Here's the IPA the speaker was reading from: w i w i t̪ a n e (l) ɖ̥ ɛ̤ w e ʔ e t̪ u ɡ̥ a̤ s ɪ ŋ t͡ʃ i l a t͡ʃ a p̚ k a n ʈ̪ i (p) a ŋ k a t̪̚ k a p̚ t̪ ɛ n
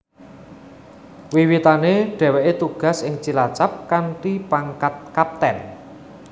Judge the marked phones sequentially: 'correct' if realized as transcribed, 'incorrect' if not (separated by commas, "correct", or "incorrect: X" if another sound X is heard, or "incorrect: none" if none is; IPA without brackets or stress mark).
incorrect: none, correct